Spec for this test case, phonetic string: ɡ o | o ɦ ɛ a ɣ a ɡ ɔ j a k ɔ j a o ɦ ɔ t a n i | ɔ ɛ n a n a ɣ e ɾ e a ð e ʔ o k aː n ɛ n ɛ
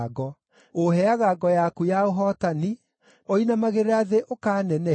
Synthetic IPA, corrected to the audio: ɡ ɔ | o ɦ ɛ a ɣ a ɡ ɔ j a k u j a o ɦ ɔ t a n i | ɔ i n a m a ɣ e ɾ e a ð e ʔ o k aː n ɛ n ɛ

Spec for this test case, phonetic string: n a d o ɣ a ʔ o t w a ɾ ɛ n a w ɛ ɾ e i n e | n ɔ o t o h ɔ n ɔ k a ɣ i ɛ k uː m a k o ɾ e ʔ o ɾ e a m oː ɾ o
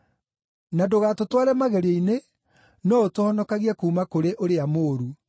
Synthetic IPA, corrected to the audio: n a d o ɣ a t o t w a ɾ ɛ m a ɣ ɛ ɾ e i n e | n ɔ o t o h ɔ n ɔ k a ɣ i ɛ k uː m a k o ɾ e ʔ o ɾ e a m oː ɾ u

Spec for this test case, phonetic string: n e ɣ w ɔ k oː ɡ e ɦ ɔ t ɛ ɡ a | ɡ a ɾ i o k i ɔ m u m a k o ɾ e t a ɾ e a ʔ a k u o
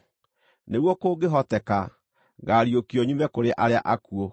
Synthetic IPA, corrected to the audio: n e ɣ w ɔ k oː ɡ e ɦ ɔ t ɛ k a | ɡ a ɾ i o k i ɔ ɲ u m ɛ k o ɾ e ʔ a ɾ e a ʔ a k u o

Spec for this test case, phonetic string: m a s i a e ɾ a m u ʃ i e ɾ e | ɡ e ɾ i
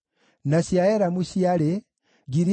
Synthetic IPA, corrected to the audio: n a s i a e ɾ a m u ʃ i a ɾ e | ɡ i ɾ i

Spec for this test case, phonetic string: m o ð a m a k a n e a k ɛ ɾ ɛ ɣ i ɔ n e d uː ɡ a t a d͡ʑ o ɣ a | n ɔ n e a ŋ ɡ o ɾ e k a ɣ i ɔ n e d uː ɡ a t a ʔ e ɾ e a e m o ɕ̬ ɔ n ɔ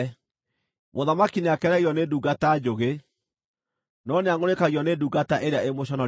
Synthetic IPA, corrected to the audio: m o ð a m a k i n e a k ɛ ɾ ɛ ɣ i ɔ n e d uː ɡ a t a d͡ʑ o ɣ e | n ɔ n e a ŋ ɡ o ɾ e k a ɣ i ɔ n e d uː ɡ a t a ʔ e ɾ e a e m o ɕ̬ ɔ n ɔ

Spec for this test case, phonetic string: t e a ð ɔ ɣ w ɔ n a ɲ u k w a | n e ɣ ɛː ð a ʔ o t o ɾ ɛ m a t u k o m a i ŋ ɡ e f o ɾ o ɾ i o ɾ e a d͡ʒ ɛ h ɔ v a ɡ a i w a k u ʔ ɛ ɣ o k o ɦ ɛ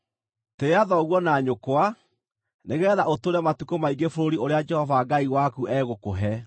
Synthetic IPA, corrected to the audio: t e a ð ɔ ɣ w ɔ n a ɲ o k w a | n e ɣ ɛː ð a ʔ o t o ɾ ɛ m a t u k o m a i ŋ ɡ e f o ɾ o ɾ i o ɾ e a d͡ʒ ɛ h ɔ v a ɡ a i w a k u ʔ ɛ ɣ o k o ɦ ɛ

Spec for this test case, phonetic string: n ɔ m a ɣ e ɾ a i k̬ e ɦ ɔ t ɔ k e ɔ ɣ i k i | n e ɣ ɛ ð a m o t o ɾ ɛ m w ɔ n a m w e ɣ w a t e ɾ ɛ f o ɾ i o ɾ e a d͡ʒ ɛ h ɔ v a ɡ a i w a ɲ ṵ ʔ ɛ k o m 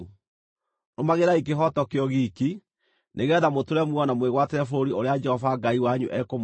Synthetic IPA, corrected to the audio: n o m a ɣ e ɾ a i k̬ e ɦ ɔ t ɔ k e ɔ ɣ i k i | n e ɣ ɛ ð a m o t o ɾ ɛ m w ɔ n a m w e ɣ w a t e ɾ ɛ f o ɾ i o ɾ e a d͡ʒ ɛ h ɔ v a ɡ a i w a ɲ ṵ ʔ ɛ k o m

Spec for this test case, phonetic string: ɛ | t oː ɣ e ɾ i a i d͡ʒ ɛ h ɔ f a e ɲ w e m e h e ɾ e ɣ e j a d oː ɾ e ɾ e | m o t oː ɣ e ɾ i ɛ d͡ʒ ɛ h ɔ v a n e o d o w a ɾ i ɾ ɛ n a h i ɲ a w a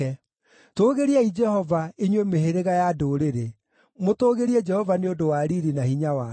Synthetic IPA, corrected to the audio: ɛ | t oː ɣ e ɾ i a i d͡ʒ ɛ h ɔ v a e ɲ w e m e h e ɾ e ɣ a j a d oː ɾ e ɾ e | m o t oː ɣ e ɾ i ɛ d͡ʒ ɛ h ɔ v a n e o d o w a ɾ i ɾ i n a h i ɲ a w a

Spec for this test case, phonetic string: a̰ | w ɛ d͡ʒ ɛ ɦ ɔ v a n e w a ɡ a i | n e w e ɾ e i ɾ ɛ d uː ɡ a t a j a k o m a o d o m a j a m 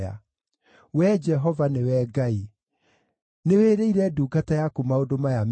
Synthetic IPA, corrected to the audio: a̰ | w ɛ d͡ʒ ɛ ɦ ɔ v a n e w ɛ ɡ a i | n e w e ɾ e i ɾ ɛ d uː ɡ a t a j a k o m a o d o m a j a m

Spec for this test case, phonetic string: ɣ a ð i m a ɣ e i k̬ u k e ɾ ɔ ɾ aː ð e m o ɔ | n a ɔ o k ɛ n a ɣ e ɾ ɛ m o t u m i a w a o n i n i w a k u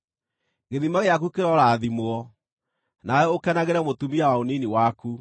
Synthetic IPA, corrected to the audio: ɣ e ð i m a ɣ e a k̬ u k e ɾ ɔ ɾ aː ð i m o ɔ | n a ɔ o k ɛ n a ɣ e ɾ ɛ m o t u m i a w a o n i n i w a k u

